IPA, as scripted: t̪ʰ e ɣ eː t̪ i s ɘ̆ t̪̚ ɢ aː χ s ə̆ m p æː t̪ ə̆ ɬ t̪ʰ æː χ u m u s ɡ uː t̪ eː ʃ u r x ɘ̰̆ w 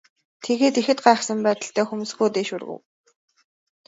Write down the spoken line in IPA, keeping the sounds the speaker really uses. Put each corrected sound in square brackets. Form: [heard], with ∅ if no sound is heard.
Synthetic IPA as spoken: t̪ʰ e ɣ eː t̪ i [x] ɘ̆ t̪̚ ɢ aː χ s ə̆ m p æː t̪ ə̆ ɬ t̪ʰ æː [x] u m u s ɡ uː t̪ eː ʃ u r [ɣ] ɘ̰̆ w